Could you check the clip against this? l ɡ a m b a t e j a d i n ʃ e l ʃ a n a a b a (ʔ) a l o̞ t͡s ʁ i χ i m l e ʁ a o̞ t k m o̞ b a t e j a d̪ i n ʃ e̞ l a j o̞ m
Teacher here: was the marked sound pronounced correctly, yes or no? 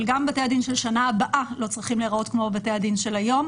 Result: yes